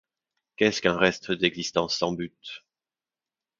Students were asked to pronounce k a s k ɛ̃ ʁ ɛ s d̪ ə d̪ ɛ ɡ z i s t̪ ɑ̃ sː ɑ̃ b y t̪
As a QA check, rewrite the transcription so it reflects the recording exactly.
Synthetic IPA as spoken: k ɛ s k ɛ̃ ʁ ɛ s t̪ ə d̪ ɛ ɡ z i s t̪ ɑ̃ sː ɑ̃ b y t̪